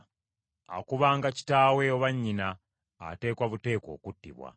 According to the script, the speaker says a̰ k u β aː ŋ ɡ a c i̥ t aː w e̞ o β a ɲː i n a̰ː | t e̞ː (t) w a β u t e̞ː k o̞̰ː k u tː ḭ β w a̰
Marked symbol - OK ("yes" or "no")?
no